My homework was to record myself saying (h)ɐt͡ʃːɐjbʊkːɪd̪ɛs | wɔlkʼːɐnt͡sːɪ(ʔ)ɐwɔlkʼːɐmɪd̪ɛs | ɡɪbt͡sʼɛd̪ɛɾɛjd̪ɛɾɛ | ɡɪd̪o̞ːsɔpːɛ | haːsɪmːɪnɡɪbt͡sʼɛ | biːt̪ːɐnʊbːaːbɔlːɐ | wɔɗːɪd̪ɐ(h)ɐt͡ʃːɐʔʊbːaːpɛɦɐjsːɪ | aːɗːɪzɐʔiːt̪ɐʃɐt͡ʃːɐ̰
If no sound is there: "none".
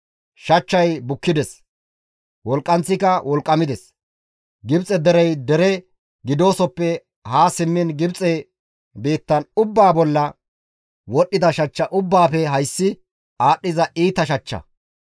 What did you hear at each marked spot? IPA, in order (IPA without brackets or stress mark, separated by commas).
ʃ, k, ʃ